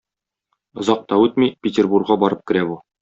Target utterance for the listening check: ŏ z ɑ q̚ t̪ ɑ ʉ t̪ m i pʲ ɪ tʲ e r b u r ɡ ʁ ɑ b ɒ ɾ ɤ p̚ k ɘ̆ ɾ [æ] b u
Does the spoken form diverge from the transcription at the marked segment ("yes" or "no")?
no